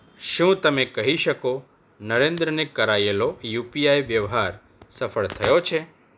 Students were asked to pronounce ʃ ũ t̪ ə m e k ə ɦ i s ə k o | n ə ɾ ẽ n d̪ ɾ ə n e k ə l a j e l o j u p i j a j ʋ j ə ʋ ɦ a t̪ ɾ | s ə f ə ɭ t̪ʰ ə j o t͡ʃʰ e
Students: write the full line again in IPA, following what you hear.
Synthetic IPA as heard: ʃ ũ t̪ ə m e k ə ɦ i ʃ ə k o | n ə ɾ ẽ n d̪ ɾ ə n e k ə ɾ a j e l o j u p i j a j ʋ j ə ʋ ɦ a ɾ | s ə f ə ɭ t̪ʰ ə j o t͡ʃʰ e